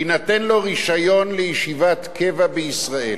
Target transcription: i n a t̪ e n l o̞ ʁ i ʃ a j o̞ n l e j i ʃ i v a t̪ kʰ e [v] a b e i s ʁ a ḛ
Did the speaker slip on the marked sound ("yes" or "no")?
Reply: no